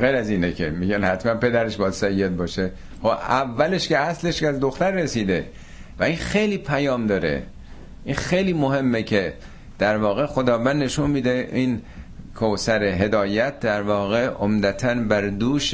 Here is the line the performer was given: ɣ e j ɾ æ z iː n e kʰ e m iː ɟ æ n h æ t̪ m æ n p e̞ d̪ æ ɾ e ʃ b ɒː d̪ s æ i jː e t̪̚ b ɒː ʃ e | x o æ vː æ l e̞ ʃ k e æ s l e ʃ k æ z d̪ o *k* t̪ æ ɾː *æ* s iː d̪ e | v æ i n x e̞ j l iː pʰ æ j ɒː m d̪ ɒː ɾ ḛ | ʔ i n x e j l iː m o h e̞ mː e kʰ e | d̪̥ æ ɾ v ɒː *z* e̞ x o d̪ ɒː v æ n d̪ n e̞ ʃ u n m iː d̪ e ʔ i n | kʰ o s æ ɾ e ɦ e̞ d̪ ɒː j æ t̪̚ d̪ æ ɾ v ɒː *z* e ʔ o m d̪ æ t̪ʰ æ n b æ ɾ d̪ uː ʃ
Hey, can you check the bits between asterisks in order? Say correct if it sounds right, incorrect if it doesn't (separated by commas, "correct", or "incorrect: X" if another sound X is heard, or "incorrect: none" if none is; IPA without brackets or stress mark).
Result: incorrect: x, incorrect: e, incorrect: ɣ, incorrect: ɣ